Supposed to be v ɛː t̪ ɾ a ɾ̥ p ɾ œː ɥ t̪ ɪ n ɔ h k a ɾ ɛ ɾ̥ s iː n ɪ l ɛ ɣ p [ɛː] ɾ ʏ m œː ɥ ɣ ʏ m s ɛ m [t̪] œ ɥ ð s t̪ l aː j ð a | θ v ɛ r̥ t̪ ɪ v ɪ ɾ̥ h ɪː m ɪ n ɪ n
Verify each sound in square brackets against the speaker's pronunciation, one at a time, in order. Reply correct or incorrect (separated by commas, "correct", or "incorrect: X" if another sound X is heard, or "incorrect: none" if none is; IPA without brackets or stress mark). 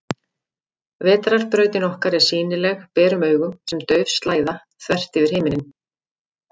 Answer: correct, correct